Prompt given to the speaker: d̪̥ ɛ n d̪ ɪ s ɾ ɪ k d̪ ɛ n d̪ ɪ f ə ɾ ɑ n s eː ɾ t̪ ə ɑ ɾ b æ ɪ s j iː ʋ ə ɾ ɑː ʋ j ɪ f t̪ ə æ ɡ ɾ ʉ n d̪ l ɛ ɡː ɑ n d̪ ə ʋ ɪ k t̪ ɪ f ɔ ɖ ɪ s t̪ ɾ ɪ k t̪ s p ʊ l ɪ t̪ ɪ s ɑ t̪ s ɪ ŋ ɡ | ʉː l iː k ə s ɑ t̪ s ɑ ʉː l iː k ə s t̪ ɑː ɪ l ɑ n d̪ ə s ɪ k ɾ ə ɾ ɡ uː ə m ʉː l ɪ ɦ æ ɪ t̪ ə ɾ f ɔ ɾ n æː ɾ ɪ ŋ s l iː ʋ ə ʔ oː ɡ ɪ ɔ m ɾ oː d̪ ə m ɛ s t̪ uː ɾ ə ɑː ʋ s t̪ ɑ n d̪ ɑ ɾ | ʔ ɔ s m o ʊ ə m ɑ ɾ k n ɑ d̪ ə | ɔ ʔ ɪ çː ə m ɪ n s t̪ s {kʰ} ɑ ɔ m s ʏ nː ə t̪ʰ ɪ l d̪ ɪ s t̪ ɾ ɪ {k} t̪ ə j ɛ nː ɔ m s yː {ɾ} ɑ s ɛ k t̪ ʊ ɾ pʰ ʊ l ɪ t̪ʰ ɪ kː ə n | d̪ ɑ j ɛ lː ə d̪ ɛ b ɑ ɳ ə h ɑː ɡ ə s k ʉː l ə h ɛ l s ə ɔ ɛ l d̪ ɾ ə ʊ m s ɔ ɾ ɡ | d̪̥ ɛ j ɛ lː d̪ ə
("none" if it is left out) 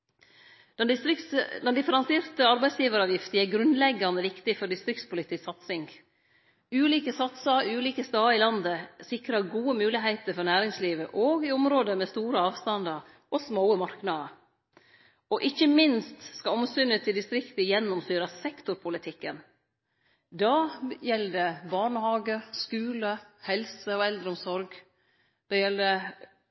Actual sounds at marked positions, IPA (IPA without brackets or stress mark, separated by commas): k, k, ɾ